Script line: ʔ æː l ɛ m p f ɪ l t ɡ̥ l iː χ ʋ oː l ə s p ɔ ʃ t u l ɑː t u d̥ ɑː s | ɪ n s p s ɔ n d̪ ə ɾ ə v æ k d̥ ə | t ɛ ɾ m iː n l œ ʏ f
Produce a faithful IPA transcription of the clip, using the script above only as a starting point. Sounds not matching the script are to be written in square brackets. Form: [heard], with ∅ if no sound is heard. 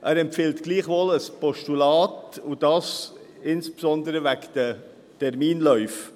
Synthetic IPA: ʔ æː [ɾ] ɛ m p f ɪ l t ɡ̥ l iː χ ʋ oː l ə s p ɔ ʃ t u l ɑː t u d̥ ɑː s | ɪ n s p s ɔ n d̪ ə ɾ ə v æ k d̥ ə | t ɛ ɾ m iː n l œ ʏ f